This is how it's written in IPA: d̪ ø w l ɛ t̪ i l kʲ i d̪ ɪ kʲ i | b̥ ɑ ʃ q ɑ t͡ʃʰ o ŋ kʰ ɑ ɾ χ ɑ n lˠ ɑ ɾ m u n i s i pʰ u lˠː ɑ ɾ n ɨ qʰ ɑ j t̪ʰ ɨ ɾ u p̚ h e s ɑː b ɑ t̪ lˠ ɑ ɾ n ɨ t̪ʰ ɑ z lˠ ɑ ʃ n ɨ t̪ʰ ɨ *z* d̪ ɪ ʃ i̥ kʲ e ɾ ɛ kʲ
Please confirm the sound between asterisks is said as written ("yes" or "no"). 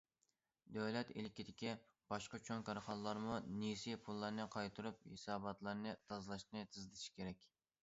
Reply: yes